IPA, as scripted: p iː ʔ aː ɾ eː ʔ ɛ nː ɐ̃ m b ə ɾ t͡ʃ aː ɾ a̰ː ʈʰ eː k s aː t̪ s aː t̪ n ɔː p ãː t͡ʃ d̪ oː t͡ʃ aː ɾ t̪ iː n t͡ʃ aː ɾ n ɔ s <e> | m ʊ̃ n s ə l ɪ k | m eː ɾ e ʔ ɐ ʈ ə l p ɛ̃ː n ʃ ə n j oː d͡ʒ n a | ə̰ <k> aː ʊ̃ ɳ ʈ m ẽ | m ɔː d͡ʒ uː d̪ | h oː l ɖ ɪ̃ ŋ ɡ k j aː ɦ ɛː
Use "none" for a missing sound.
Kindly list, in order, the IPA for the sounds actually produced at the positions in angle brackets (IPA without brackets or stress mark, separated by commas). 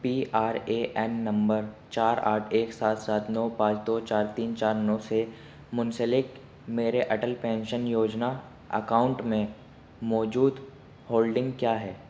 e, k